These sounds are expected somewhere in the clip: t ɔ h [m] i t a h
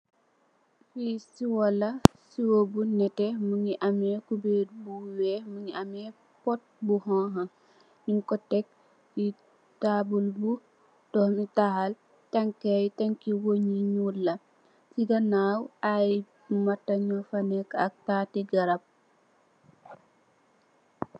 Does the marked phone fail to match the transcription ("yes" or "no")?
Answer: no